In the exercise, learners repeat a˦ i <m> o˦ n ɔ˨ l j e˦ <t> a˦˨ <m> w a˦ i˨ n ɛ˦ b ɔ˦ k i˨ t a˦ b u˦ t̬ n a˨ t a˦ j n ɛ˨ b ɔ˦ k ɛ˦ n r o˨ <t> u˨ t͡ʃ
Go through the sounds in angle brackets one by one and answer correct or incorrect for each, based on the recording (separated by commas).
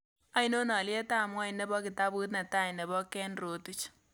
incorrect, correct, correct, correct